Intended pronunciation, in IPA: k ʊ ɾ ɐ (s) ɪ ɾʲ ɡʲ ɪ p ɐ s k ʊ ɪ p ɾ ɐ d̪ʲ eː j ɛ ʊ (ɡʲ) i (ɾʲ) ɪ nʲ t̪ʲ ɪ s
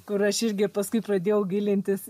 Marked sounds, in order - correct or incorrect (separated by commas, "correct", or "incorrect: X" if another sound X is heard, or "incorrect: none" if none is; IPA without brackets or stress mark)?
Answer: incorrect: ʃ, correct, incorrect: lʲ